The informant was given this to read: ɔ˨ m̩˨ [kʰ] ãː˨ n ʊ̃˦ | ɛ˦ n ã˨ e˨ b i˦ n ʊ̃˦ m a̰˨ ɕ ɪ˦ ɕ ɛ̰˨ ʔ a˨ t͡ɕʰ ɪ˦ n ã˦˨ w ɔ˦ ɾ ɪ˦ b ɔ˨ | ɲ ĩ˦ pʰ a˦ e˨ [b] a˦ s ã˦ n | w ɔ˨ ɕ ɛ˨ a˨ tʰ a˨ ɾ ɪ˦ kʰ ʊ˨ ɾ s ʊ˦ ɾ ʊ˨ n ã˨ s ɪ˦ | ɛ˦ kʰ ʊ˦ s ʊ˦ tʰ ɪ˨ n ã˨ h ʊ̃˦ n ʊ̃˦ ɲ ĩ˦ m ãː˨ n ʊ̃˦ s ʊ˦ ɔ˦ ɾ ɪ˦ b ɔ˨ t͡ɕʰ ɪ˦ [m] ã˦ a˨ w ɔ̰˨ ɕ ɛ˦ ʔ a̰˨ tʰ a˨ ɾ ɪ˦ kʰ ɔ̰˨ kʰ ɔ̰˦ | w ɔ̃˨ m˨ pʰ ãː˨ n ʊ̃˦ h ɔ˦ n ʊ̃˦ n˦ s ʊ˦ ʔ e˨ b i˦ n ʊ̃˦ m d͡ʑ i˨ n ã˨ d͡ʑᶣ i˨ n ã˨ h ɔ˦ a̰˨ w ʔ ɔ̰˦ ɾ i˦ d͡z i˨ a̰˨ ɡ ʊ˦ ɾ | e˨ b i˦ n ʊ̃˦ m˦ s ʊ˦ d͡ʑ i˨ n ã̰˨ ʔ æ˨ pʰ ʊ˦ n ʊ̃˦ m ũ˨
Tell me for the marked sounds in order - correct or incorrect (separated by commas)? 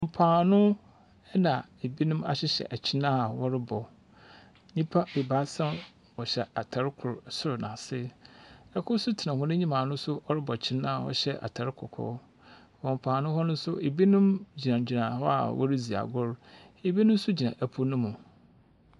incorrect, correct, incorrect